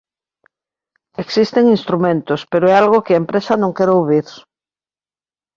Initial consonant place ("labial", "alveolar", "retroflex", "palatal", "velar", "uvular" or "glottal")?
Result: velar